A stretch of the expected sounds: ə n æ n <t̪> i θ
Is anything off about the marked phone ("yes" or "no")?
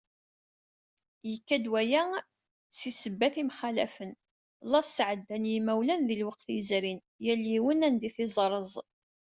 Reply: yes